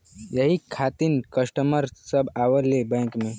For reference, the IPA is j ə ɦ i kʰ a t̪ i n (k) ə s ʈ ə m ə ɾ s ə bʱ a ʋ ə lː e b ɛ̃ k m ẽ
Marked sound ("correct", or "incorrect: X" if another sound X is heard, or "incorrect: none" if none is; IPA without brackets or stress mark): correct